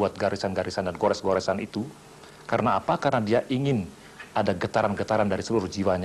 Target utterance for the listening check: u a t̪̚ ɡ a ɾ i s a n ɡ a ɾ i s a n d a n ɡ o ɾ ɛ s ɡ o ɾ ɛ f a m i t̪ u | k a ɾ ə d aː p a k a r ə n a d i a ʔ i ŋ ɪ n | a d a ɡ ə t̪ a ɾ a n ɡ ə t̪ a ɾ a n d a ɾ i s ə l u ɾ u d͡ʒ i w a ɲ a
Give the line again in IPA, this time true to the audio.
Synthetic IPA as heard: u a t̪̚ ɡ a ɾ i s a n ɡ a ɾ i s a n d a n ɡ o ɾ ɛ s ɡ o ɾ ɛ s a n i t̪ u | k a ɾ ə n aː p a k a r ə n a d i a ʔ i ŋ ɪ n | a d a ɡ ə t̪ a ɾ a n ɡ ə t̪ a ɾ a n d a ɾ i s ə l u ɾ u d͡ʒ i w a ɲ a